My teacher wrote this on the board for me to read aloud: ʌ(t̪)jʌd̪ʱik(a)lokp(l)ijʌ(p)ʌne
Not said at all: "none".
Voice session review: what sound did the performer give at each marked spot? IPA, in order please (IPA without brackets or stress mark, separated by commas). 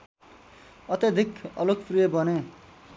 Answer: t̪, ʌ, r, b